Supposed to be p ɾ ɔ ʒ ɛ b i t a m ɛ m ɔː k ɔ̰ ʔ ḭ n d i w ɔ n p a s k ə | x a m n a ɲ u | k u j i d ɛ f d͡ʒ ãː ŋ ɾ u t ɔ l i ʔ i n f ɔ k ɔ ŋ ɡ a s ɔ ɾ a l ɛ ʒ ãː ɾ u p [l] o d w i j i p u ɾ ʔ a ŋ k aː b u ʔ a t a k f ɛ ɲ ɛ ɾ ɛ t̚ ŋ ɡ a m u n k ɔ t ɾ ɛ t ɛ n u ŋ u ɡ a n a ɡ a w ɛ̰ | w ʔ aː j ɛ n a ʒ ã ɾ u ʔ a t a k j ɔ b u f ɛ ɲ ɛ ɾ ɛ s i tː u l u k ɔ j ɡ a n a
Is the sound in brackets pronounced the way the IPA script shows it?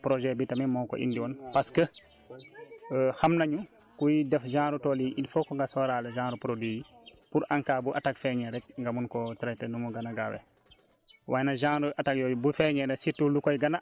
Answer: no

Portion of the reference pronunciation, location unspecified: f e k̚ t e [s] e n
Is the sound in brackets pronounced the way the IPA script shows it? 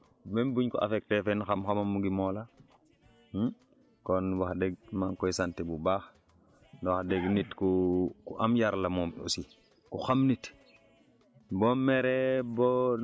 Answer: no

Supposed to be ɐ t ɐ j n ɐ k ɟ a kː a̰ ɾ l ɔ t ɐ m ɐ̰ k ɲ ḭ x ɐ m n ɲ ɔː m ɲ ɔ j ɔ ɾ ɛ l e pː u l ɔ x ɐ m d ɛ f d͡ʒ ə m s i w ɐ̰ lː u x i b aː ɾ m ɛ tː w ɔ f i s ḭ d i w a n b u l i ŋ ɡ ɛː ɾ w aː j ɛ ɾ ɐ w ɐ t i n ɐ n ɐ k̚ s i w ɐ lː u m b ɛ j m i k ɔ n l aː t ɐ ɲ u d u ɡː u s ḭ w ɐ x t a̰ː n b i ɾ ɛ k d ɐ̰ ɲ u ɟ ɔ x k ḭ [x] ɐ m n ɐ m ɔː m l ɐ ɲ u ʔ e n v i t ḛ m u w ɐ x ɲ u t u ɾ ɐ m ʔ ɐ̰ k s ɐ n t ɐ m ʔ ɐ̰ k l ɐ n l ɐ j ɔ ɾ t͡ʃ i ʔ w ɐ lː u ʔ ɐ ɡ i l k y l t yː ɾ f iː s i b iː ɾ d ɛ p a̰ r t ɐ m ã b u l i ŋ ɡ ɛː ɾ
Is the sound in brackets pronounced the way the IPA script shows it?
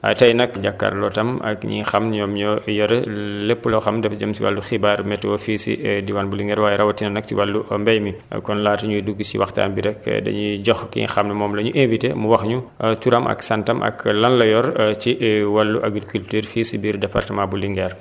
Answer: yes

